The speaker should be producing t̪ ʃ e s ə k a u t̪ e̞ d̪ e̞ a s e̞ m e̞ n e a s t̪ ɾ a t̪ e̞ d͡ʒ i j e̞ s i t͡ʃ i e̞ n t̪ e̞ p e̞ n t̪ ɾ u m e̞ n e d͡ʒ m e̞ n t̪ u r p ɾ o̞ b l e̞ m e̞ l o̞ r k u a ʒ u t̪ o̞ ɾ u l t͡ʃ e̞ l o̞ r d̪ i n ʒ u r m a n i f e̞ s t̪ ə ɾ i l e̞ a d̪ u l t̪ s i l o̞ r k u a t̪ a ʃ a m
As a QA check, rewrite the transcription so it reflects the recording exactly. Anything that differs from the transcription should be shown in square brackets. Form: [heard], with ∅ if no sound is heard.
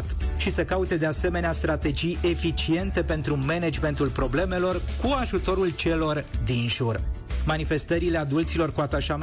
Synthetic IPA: t̪ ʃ [i] s ə k a u t̪ e̞ d̪ e̞ a s e̞ m e̞ n e a s t̪ ɾ a t̪ e̞ d͡ʒ i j e̞ [f] i t͡ʃ i e̞ n t̪ e̞ p e̞ n t̪ ɾ u m e̞ n e d͡ʒ m e̞ n t̪ u [l] p ɾ o̞ b l e̞ m e̞ l o̞ r k u a ʒ u t̪ o̞ ɾ u l t͡ʃ e̞ l o̞ r d̪ i n ʒ u r m a n i f e̞ s t̪ ə ɾ i l e̞ a d̪ u l t̪ s i l o̞ r k u a t̪ a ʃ a m